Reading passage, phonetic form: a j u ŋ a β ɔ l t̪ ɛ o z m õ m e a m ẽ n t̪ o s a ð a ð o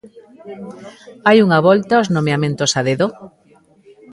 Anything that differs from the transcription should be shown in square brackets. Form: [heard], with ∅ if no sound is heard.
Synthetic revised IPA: a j u ŋ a β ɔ l t̪ [a] o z [n] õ m e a m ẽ n t̪ o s a ð [e] ð o